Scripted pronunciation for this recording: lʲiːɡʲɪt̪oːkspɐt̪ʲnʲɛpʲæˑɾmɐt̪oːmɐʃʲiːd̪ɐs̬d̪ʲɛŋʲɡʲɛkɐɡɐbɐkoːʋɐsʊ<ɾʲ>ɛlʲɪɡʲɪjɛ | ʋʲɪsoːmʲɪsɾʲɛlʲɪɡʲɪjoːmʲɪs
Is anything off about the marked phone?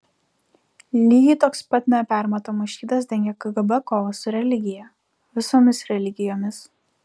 no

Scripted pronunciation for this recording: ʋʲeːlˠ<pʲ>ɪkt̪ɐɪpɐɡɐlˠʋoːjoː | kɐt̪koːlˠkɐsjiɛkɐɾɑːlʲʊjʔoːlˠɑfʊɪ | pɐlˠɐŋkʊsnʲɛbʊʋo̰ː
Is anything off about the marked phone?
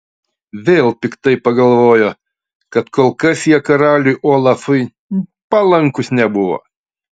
no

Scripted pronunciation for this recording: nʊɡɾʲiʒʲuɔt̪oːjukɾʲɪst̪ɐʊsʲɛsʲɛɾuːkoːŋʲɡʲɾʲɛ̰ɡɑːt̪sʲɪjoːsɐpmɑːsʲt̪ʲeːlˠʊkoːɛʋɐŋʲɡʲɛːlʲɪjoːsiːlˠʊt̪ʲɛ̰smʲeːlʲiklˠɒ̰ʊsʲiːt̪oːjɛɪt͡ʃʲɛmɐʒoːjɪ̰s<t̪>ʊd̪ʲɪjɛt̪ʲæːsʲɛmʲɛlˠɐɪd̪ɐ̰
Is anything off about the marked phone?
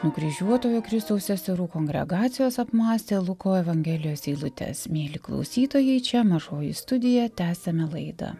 no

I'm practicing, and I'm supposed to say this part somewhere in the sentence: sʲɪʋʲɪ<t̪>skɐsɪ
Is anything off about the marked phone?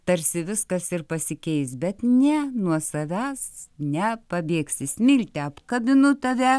yes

